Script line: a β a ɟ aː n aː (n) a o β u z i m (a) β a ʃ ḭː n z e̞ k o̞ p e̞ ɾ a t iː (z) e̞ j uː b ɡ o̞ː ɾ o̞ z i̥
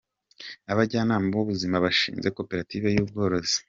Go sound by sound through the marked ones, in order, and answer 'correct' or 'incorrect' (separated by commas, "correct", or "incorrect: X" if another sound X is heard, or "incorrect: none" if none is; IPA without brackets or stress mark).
incorrect: m, correct, incorrect: v